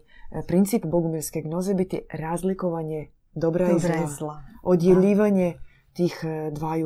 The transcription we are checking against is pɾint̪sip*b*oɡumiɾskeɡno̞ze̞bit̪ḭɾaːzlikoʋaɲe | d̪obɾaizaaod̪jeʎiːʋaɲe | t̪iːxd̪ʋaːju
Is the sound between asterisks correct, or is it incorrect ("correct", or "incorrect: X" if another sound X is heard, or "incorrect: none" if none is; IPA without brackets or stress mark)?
correct